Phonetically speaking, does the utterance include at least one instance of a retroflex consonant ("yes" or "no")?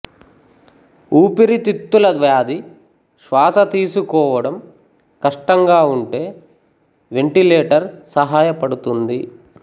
yes